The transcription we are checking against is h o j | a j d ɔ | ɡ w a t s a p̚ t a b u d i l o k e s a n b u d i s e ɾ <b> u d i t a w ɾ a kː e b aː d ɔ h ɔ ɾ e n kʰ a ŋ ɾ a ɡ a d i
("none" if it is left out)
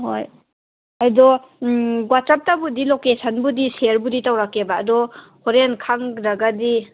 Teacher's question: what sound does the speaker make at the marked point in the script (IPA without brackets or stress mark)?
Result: b